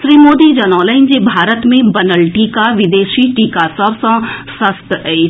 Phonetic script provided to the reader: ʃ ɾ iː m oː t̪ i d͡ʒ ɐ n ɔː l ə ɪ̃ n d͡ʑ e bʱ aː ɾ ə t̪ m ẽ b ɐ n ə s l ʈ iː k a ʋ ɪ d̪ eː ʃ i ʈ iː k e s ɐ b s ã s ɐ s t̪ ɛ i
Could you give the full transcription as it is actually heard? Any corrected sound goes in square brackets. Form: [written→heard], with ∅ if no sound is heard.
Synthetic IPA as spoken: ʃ ɾ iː m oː [t̪→d̪] i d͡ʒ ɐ n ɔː l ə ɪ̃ n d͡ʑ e bʱ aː ɾ ə t̪ m ẽ b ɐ n ə [s→∅] l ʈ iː k a ʋ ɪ d̪ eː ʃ i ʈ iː k [e→a] s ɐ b s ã s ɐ s t̪ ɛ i